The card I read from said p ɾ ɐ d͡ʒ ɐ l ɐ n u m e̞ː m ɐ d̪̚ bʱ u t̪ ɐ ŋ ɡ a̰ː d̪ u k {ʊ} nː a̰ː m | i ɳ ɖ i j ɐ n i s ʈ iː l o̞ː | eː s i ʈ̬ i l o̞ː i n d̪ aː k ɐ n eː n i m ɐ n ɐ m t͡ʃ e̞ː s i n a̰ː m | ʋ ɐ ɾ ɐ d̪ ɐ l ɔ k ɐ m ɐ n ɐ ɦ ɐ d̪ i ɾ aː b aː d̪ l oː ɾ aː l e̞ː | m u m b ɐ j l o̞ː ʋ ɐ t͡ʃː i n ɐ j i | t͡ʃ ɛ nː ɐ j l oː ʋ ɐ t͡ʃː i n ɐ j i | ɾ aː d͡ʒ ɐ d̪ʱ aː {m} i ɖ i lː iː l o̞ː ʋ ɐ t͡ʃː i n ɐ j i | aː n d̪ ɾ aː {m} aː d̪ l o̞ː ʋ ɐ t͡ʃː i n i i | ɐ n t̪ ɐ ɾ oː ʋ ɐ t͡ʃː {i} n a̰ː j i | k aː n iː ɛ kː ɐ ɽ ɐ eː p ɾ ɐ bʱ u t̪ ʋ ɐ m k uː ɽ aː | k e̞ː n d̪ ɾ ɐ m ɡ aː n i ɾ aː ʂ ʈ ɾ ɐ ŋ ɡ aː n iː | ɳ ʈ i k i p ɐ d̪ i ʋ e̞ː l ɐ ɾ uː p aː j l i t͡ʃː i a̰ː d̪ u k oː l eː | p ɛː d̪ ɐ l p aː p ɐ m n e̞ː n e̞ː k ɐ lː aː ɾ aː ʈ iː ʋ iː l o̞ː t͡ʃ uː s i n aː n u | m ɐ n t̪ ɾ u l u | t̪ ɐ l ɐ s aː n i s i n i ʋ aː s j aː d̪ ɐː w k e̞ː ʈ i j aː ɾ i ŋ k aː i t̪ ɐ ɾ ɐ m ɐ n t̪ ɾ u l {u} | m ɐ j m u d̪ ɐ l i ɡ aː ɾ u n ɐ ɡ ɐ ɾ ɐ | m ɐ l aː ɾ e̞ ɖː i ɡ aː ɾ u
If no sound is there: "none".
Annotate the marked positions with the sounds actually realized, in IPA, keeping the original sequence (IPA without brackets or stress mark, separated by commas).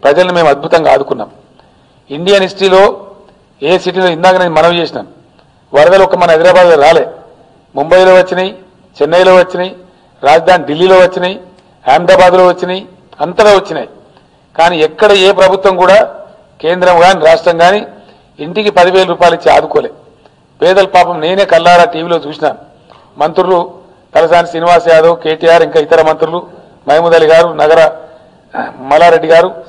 u, n, b, i, u